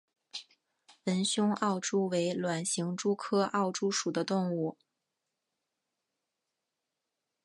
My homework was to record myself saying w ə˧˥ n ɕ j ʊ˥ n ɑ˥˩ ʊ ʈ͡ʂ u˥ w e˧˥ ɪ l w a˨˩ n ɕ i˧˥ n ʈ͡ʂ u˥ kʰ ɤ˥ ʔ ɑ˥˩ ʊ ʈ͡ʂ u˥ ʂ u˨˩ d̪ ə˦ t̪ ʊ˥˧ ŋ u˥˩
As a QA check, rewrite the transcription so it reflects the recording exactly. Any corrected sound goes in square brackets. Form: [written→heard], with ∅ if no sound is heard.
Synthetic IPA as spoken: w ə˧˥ n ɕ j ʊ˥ [n→ŋ] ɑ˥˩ ʊ ʈ͡ʂ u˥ w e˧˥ ɪ l w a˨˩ n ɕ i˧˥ [n→ŋ] ʈ͡ʂ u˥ kʰ ɤ˥ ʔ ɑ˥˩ ʊ ʈ͡ʂ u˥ ʂ u˨˩ d̪ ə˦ t̪ ʊ˥˧ ŋ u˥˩